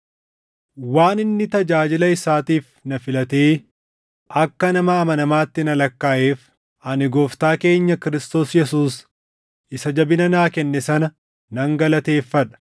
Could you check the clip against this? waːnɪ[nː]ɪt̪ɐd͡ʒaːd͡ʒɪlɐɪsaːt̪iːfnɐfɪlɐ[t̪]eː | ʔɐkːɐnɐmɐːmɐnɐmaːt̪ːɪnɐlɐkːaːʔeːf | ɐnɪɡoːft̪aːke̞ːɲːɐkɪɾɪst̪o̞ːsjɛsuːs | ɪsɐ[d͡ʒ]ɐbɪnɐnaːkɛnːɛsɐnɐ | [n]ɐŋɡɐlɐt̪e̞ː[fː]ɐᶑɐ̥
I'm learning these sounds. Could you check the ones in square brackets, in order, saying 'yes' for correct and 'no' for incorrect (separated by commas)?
yes, yes, yes, yes, yes